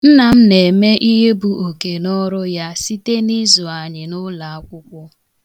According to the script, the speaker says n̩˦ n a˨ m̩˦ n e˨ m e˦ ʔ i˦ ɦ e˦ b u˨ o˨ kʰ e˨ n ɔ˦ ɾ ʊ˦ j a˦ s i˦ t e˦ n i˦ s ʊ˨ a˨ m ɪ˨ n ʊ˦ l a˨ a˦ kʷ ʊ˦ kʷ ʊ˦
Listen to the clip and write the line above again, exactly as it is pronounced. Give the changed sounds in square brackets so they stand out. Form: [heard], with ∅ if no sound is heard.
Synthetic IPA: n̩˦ n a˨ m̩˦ n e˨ m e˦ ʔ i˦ ɦ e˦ b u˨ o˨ [k] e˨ n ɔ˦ ɾ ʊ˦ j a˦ s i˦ t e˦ n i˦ [z] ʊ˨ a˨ [ɲ] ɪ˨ n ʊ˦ l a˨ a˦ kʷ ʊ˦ kʷ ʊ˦